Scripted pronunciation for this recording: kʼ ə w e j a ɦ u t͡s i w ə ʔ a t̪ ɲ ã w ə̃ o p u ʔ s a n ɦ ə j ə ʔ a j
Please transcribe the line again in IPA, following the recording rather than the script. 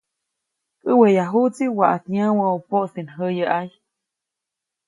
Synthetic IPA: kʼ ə w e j a ɦ u t͡s i w a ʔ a t̪ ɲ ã w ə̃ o p o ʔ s i n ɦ ə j ə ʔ a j